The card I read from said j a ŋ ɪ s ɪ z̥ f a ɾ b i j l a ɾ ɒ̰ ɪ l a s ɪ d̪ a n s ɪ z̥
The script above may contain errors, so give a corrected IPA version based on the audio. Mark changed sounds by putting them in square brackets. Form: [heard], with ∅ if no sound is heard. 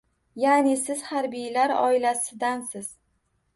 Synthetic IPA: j a [n] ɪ s ɪ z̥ [h] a ɾ b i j l a ɾ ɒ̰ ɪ l a s ɪ d̪ a n s ɪ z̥